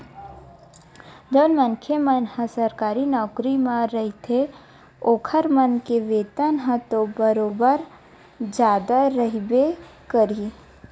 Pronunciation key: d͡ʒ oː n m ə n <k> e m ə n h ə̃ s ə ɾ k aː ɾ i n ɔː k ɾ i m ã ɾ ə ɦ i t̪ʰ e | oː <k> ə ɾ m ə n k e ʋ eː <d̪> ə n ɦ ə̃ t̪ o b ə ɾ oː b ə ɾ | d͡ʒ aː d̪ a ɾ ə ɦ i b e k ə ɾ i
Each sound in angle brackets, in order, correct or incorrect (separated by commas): incorrect, incorrect, incorrect